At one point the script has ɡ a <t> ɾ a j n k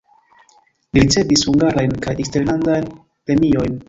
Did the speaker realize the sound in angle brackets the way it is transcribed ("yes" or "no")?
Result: no